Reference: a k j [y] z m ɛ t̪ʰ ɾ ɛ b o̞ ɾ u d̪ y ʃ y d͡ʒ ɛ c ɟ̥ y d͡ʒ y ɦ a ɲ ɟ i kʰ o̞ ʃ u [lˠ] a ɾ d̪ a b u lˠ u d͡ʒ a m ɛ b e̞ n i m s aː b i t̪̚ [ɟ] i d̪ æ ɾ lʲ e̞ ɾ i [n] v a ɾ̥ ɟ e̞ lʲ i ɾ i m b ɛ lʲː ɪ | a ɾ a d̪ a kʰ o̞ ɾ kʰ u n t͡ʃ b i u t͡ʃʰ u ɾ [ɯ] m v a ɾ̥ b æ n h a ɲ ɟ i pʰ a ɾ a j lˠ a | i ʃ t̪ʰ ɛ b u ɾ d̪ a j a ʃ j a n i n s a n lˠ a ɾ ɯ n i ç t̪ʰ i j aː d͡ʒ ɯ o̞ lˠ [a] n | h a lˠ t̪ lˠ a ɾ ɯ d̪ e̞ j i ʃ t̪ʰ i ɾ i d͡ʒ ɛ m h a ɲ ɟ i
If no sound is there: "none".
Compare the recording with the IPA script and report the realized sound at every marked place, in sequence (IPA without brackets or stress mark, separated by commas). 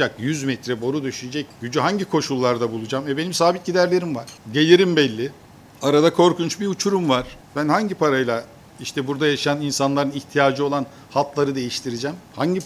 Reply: y, lˠː, ɟ, m, u, a